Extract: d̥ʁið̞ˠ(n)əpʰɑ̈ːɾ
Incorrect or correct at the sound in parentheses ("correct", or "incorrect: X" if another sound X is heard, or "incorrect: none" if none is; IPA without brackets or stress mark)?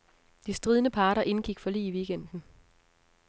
correct